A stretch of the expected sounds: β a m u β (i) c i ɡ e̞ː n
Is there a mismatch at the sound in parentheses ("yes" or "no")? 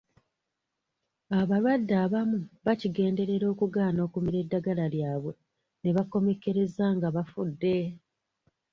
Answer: yes